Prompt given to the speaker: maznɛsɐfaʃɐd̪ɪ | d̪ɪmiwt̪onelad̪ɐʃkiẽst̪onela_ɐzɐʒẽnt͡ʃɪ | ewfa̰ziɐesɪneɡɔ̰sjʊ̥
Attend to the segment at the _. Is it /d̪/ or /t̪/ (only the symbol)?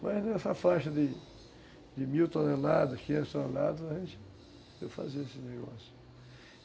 d̪